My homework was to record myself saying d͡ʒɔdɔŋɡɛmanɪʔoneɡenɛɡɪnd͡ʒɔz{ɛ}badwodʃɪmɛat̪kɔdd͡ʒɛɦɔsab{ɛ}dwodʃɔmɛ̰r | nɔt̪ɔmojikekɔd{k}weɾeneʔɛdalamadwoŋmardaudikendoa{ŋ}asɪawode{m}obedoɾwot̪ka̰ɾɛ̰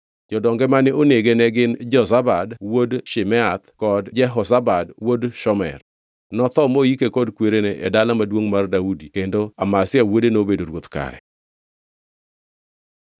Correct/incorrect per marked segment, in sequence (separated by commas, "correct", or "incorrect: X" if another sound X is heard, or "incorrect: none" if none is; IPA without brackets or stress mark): incorrect: a, incorrect: a, correct, incorrect: m, incorrect: n